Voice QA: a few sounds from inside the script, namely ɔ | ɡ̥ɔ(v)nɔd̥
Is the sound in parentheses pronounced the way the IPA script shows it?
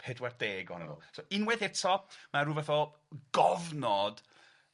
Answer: yes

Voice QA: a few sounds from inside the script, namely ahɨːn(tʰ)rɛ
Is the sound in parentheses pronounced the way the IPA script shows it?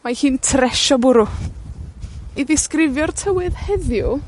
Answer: yes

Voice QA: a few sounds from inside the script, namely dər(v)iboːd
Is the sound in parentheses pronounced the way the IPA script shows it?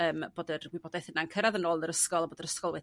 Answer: no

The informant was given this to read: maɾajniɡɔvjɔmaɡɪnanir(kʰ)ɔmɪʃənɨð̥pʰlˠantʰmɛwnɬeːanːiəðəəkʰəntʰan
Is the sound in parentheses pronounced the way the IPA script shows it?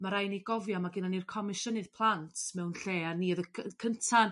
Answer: yes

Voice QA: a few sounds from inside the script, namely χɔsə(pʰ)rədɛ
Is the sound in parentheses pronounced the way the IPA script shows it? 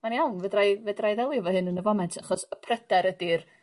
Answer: yes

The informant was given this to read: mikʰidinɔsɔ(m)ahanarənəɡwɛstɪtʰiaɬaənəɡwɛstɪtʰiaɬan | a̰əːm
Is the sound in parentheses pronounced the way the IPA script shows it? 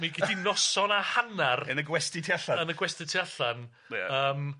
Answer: no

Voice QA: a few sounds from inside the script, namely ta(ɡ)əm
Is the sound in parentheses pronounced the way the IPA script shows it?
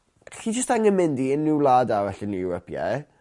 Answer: no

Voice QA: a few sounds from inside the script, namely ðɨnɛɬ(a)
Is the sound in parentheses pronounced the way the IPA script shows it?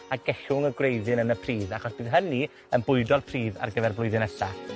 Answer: yes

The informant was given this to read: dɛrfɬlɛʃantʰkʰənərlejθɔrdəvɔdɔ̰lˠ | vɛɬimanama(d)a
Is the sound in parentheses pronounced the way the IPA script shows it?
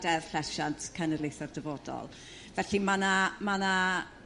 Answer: no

